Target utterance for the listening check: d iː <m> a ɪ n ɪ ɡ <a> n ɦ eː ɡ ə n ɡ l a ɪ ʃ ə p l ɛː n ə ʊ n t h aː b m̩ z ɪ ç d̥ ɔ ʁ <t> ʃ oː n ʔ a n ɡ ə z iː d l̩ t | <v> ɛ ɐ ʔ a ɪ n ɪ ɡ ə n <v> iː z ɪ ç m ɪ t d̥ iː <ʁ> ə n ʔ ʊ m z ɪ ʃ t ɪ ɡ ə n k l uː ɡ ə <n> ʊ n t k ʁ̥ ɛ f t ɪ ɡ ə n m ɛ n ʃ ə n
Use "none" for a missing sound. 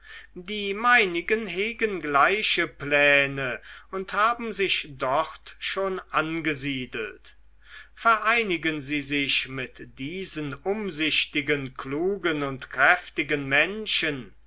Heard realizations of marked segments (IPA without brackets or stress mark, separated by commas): m, ə, t, f, z, z, n